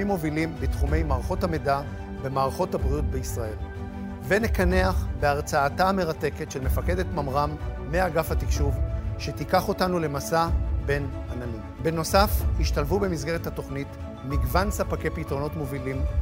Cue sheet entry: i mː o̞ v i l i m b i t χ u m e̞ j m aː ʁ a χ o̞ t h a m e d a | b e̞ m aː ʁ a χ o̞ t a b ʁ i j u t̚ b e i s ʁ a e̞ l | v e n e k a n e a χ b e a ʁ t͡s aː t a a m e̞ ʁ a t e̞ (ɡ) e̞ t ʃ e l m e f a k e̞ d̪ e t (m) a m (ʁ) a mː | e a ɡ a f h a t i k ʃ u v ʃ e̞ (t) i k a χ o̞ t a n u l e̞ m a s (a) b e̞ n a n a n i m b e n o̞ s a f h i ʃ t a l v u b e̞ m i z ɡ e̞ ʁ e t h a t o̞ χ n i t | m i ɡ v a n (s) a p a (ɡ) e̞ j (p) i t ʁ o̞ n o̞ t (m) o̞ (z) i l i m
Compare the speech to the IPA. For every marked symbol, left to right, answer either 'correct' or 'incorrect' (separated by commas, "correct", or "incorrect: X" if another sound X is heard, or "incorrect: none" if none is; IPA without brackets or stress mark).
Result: incorrect: k, correct, correct, correct, correct, correct, incorrect: k, correct, correct, incorrect: v